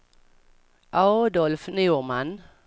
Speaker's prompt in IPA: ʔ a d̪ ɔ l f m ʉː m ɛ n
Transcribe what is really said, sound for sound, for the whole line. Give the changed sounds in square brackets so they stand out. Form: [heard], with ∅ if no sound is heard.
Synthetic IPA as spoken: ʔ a d̪ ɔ l f [n] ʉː m [a] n